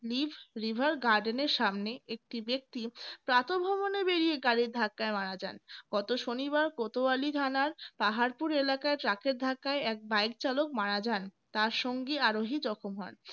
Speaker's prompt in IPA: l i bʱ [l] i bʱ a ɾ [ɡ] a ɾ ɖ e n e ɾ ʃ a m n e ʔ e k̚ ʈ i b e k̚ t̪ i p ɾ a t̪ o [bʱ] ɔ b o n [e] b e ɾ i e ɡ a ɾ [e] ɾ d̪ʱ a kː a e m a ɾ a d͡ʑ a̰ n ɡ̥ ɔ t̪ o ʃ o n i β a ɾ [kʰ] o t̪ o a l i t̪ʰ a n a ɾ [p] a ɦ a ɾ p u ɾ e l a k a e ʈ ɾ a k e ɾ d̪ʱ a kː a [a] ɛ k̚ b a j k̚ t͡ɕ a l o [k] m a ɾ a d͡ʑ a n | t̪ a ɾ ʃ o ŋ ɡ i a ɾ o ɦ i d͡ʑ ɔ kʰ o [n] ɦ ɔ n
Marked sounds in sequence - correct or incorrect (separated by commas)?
incorrect, correct, correct, correct, incorrect, incorrect, correct, incorrect, correct, incorrect